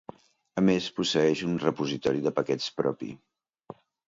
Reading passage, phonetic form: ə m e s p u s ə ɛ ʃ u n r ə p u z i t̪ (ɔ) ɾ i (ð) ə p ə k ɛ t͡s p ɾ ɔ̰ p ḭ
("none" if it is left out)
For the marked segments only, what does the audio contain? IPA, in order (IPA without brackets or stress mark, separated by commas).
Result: ɔ, ð